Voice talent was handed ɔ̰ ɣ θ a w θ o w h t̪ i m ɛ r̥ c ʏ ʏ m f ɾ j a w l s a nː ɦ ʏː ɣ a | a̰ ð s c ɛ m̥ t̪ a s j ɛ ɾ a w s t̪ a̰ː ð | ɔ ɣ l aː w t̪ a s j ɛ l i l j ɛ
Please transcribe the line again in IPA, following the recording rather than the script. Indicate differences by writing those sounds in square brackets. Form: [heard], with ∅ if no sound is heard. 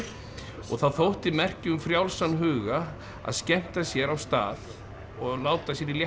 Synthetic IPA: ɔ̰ ɣ θ a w θ o w h t̪ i m ɛ r̥ c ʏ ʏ m f ɾ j a w l s a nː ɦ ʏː ɣ a | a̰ ð s c ɛ m̥ t̪ a s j ɛ ɾ a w s t̪ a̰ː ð | ɔ ɣ l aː w t̪ a s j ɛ [ɾ] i l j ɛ